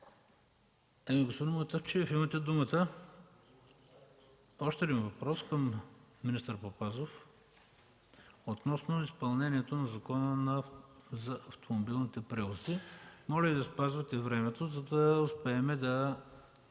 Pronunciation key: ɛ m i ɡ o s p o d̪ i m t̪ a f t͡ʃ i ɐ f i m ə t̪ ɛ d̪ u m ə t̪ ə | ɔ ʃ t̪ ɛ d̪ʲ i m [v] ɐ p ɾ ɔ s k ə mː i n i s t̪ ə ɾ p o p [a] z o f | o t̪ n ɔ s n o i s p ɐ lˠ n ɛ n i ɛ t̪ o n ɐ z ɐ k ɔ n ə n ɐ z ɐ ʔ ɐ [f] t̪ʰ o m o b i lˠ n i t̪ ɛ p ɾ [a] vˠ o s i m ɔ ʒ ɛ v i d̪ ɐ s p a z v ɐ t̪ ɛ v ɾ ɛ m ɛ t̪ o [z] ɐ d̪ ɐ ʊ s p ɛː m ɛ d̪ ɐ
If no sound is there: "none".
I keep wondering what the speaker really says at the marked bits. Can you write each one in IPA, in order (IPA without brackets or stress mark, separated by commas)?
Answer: v, a, f, ɛ, z